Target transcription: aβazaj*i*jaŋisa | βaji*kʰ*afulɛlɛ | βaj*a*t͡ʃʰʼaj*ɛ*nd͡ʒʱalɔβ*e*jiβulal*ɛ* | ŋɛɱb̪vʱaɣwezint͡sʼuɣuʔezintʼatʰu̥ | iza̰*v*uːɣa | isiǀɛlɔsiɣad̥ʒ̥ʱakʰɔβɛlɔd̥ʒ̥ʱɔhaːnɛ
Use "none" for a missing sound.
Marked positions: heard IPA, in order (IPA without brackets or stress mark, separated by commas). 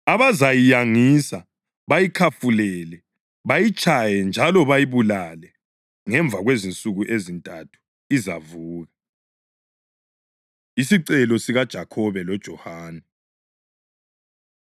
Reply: i, kʰ, i, ɛ, a, ɛ, v